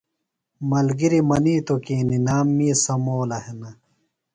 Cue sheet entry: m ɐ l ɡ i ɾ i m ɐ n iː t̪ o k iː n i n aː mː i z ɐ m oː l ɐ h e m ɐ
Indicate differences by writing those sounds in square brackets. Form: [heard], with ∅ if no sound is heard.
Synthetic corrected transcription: m ɐ l ɡ i ɾ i m ɐ n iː t̪ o k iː n i n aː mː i [s] ɐ m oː l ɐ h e [n] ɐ

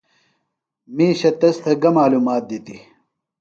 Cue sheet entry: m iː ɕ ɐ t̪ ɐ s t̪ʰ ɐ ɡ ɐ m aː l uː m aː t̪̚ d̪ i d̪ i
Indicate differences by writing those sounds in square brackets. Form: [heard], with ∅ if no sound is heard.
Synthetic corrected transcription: m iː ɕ ɐ t̪ ɐ s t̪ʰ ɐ ɡ ɐ m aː l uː m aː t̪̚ d̪ i [t̪] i

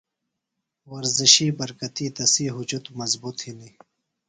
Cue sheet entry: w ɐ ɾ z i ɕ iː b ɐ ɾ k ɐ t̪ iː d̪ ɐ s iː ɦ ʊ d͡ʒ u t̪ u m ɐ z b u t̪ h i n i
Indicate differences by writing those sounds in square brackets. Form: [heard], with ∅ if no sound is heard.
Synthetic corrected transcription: w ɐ ɾ z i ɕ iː b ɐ ɾ k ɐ t̪ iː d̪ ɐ s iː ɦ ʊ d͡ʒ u t̪ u m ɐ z b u t̪ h i n i

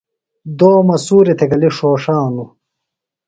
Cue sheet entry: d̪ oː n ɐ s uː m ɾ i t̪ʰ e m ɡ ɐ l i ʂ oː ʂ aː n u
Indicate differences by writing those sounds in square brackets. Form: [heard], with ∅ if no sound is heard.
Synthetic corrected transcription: d̪ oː [m] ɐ s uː [∅] ɾ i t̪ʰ e [∅] ɡ ɐ l i ʂ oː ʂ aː n u

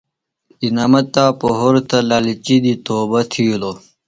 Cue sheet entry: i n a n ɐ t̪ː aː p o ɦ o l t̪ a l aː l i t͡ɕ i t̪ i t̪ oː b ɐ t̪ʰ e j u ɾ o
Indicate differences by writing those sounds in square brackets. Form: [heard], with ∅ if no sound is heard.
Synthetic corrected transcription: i n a [m] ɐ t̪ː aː p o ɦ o [ɾ] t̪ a l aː l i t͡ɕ i [d̪] i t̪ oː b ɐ t̪ʰ [i] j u [l] o

